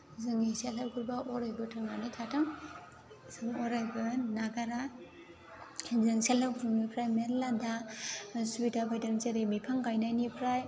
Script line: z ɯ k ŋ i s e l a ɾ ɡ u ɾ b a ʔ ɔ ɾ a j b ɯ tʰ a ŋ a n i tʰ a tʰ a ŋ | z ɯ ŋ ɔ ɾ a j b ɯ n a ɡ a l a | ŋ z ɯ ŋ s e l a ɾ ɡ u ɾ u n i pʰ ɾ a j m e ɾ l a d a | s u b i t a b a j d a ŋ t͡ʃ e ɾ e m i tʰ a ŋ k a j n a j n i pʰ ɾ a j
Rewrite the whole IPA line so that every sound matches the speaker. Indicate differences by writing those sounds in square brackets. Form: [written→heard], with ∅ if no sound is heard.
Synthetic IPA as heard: z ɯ [k→∅] ŋ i s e l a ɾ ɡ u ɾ b a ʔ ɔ ɾ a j b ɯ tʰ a ŋ a n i tʰ a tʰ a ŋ | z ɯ ŋ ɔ ɾ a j b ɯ n a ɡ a [l→ɾ] a | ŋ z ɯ ŋ s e l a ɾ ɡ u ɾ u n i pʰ ɾ a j m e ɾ l a d a | s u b i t a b a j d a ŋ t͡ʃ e ɾ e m i [tʰ→pʰ] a ŋ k a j n a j n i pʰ ɾ a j